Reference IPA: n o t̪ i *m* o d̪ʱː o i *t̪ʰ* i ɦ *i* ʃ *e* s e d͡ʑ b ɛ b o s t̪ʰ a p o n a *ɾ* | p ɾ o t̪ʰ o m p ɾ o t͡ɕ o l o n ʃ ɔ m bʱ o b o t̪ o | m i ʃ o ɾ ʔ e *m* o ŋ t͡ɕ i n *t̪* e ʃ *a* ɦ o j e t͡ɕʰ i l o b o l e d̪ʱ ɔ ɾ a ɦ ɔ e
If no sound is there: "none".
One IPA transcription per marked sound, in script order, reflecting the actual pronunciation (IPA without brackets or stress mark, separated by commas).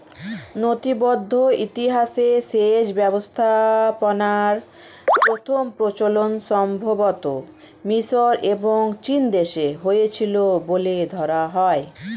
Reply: b, t̪, a, e, ɾ, b, d̪, e